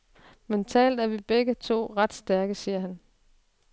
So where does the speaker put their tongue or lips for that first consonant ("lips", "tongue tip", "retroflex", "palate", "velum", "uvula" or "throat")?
lips